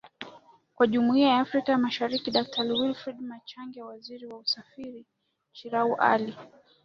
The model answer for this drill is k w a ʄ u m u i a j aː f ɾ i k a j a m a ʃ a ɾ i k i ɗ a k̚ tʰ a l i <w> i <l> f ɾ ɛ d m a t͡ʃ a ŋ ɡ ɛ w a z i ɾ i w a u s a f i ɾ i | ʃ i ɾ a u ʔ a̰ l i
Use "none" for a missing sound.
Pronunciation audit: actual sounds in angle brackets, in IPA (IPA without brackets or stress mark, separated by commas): w, l